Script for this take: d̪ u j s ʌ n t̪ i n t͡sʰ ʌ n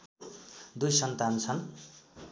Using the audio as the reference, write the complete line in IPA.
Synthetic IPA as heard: d̪ u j s ʌ n t̪ a n t͡sʰ ʌ n